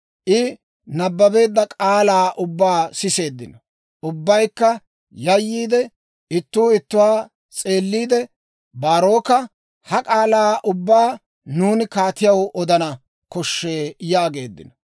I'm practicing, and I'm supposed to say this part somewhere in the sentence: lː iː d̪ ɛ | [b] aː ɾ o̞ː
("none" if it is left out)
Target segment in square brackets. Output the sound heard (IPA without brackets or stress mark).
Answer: b